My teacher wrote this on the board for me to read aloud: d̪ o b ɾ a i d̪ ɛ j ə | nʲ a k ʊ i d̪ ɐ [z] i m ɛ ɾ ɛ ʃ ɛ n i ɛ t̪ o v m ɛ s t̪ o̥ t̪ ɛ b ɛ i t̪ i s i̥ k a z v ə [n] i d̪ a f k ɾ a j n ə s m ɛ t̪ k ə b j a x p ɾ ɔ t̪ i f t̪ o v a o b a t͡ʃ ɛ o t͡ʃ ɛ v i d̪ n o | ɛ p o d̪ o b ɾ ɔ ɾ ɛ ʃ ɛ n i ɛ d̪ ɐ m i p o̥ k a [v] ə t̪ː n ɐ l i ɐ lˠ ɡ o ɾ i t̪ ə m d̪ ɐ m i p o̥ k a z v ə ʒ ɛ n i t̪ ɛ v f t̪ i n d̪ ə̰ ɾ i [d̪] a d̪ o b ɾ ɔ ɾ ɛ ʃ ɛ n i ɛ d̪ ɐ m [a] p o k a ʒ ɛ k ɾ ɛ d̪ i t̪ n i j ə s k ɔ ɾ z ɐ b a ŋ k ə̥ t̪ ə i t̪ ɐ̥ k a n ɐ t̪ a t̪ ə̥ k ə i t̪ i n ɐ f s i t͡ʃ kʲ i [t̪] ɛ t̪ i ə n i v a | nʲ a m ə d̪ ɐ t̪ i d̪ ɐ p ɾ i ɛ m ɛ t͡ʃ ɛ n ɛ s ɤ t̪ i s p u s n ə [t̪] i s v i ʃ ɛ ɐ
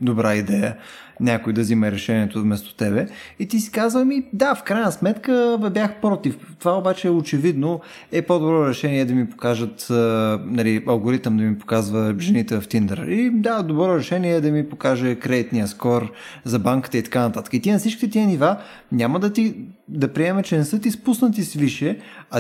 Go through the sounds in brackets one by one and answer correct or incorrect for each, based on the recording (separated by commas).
correct, incorrect, incorrect, correct, incorrect, correct, correct